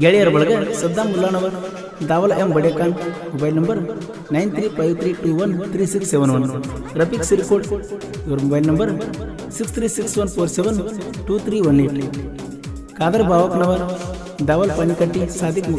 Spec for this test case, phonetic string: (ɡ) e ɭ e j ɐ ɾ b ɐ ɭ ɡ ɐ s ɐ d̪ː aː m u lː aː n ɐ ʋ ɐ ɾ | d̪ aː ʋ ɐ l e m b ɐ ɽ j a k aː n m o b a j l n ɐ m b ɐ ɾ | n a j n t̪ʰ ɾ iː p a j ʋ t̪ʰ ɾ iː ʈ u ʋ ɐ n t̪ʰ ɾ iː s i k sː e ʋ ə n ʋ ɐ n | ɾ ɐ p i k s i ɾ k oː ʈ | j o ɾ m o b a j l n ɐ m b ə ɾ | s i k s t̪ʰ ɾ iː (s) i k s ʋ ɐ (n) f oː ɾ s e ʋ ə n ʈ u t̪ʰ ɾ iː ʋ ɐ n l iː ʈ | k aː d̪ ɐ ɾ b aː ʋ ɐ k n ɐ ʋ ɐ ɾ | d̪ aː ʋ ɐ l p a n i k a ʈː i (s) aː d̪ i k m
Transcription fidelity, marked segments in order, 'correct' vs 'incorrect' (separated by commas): correct, correct, correct, correct